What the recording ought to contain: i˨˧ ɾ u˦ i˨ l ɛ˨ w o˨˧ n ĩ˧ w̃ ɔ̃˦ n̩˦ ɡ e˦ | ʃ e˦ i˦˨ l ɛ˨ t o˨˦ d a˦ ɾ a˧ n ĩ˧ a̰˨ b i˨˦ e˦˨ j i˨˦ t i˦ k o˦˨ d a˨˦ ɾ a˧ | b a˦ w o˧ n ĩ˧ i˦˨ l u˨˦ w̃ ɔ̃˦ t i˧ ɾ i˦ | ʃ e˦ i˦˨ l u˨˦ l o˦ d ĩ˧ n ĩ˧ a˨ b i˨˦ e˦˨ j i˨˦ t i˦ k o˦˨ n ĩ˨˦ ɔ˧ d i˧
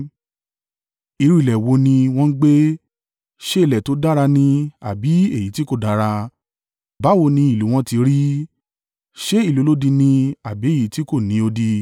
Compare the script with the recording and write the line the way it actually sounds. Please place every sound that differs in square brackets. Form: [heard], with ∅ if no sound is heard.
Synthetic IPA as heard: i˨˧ ɾ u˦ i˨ l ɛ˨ w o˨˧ n ĩ˧ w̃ ɔ̃˦ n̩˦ [ɡ͡b] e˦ | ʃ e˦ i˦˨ l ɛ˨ t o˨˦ d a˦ ɾ a˧ n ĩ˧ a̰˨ b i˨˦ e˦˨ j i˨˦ t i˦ k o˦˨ d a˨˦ ɾ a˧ | b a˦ w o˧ n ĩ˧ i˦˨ l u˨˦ w̃ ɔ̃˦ t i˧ ɾ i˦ | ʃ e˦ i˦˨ l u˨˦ l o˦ d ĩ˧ n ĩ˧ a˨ b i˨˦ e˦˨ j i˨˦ t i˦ k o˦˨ n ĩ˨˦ [o˧] d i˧